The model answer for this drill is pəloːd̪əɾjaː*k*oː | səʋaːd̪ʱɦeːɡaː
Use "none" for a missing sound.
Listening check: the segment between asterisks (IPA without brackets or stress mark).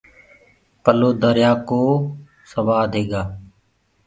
k